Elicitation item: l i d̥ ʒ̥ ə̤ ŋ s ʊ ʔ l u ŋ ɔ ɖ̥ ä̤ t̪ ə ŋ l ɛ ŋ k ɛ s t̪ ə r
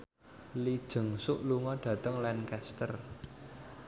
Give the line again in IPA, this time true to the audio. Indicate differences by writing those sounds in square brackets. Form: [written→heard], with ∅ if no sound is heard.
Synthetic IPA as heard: l i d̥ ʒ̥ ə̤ ŋ s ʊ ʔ l u ŋ ɔ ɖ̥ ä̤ t̪ ə ŋ l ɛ [ŋ→n] k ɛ s t̪ ə r